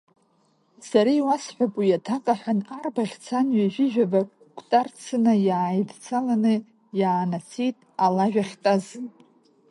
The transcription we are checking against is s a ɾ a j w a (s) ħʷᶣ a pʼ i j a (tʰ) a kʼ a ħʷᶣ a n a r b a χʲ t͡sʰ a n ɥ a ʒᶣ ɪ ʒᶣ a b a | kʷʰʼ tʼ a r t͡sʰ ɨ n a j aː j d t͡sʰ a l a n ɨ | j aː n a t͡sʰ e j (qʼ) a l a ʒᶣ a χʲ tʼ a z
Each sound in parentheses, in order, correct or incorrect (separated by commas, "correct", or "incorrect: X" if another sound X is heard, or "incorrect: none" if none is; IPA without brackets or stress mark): correct, correct, incorrect: tʼ